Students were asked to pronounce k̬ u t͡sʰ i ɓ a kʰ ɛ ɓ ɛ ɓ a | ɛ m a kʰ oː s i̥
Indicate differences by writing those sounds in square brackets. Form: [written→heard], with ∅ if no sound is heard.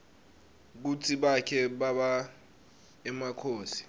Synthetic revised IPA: k̬ u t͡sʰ i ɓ a kʰ ɛ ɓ [ɛ→a] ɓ a | ɛ m a kʰ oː s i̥